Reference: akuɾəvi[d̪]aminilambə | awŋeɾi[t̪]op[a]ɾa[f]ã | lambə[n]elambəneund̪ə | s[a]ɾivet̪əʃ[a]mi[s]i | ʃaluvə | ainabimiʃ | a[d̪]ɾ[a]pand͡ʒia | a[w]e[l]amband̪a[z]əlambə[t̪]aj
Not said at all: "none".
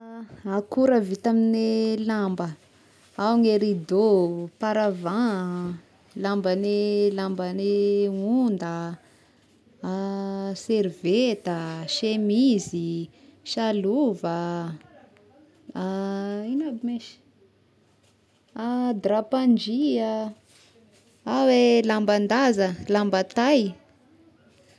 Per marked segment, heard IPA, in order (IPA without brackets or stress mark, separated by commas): t̪, d̪, a, v, n, e, e, z, d̪, a, w, l, z, t̪